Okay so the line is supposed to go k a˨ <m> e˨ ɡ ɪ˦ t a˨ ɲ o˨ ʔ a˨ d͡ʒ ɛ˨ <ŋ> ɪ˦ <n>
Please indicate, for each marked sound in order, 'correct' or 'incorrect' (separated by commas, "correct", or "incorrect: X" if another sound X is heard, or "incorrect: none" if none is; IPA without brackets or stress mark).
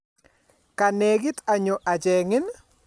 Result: incorrect: n, correct, correct